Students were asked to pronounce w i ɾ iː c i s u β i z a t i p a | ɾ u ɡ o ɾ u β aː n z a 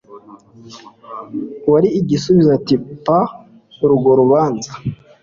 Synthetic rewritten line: w a ɾ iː ɟ i s u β i z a t i p a | ɾ u ɡ o ɾ u β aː n z a